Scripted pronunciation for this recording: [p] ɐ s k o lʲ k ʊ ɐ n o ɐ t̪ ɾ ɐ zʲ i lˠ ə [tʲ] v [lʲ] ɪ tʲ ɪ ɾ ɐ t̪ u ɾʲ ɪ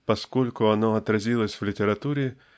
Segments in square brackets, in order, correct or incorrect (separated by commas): correct, incorrect, correct